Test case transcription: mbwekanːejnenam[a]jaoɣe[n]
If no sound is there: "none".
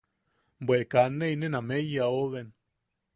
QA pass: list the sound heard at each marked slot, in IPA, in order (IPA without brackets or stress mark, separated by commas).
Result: e, n